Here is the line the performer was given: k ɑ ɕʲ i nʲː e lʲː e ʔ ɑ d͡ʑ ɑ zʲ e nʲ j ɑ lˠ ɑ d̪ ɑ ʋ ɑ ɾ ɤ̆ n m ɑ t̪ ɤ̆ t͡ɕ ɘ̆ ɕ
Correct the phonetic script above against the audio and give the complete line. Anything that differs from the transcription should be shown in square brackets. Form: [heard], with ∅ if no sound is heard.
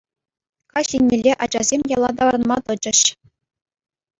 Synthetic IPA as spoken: k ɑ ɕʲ i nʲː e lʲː e ʔ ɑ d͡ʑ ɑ zʲ e [mʲ] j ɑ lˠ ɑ d̪ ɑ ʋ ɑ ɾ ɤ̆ n m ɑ t̪ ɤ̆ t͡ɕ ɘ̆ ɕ